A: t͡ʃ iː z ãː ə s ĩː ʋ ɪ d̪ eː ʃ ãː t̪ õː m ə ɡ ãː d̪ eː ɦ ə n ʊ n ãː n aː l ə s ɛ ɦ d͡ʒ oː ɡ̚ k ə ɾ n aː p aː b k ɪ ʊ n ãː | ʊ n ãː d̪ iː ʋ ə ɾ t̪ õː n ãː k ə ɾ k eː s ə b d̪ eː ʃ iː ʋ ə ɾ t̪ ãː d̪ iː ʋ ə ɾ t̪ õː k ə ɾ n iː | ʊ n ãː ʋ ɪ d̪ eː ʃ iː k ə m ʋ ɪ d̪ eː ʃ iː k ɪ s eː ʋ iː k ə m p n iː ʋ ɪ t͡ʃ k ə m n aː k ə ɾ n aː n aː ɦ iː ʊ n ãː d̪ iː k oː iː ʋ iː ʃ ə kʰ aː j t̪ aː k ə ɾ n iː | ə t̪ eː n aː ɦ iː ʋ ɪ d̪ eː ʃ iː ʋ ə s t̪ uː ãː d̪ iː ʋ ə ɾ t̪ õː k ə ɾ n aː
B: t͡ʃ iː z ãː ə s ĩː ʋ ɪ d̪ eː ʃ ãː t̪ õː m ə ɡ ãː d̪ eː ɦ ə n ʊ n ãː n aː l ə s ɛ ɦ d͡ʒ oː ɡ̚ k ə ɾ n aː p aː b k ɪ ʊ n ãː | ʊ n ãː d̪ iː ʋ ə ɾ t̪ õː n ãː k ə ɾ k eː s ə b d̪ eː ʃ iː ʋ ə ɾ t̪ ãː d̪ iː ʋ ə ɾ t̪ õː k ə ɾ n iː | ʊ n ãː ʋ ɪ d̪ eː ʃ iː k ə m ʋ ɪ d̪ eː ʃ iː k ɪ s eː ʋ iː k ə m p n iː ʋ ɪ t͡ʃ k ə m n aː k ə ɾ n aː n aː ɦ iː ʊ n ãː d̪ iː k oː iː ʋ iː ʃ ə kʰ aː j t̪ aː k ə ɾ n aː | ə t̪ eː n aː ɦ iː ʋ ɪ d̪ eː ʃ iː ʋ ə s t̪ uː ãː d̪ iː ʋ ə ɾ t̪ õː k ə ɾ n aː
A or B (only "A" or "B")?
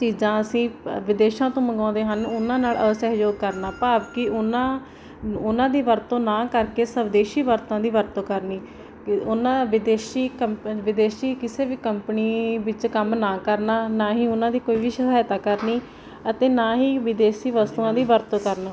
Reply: A